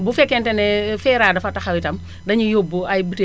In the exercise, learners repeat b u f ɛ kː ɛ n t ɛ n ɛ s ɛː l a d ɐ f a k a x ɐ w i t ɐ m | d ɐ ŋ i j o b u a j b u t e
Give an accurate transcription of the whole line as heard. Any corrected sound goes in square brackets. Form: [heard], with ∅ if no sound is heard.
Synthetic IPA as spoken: b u f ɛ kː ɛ n t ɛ n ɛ [f] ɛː [ɾ] a d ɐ f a [t] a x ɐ w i t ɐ m | d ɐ [ɲ] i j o b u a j b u t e